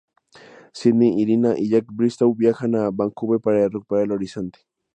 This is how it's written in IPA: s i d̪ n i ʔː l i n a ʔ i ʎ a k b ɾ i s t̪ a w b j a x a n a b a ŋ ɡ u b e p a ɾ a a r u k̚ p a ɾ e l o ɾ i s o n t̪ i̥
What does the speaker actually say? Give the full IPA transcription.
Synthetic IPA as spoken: s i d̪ n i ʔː ɾ i n a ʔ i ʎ a k b ɾ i s t̪ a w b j a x a n a b a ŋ k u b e p a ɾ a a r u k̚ p a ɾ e l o ɾ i s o n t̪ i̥